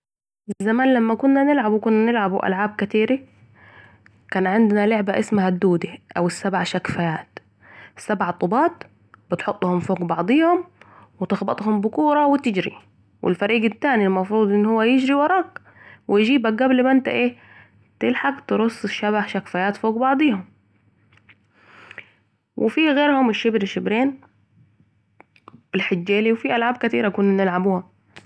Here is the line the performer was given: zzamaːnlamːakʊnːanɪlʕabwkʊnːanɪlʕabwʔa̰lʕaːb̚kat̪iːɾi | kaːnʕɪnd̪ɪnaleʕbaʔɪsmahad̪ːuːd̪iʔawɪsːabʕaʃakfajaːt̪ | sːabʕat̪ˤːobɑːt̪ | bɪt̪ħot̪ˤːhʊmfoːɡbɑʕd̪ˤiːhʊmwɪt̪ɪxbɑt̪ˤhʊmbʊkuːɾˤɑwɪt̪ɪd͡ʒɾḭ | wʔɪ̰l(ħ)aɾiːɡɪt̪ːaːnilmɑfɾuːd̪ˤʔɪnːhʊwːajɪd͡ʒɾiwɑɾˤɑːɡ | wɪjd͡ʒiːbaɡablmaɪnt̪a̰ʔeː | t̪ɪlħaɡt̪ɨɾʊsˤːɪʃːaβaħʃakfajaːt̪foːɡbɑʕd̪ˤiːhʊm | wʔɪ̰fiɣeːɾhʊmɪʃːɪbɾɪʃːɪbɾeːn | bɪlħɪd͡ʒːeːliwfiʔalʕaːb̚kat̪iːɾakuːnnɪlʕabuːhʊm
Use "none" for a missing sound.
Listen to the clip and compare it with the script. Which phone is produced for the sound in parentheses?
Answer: f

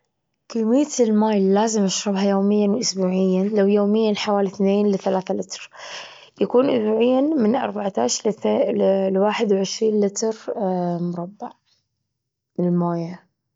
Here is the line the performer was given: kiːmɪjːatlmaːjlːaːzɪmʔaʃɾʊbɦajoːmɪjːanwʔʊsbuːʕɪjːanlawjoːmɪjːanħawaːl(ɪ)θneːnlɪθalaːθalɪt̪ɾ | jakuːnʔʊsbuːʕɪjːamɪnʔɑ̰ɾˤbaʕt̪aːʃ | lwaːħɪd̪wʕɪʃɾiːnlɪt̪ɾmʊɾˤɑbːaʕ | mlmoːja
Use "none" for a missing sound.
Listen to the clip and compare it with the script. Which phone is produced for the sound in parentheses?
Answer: i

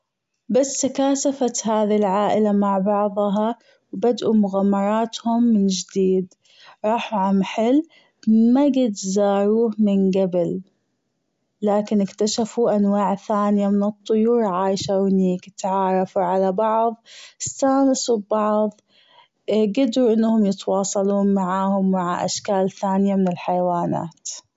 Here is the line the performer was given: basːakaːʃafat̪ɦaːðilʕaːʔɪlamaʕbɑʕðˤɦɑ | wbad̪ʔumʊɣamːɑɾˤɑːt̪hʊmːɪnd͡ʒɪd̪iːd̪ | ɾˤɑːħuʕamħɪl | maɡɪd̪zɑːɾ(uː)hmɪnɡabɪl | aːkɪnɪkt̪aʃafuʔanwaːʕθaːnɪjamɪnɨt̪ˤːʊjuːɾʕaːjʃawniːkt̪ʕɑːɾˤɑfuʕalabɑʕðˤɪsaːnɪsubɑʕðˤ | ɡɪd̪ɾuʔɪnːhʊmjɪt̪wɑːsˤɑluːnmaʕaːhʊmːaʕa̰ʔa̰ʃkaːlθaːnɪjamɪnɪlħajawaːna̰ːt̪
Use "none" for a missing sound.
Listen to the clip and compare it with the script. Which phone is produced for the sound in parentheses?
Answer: uː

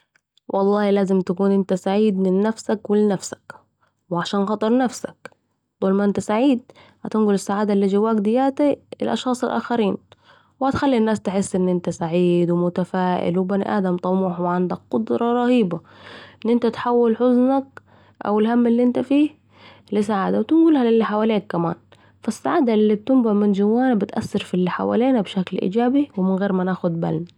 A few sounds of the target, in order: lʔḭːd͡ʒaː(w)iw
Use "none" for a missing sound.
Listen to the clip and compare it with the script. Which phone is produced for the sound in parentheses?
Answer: b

